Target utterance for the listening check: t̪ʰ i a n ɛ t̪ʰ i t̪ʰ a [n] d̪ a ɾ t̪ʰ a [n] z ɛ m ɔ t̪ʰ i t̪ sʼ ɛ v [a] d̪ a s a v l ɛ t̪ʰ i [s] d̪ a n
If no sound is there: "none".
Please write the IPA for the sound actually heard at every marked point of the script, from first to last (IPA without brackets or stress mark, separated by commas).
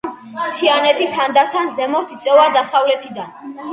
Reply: n, n, a, none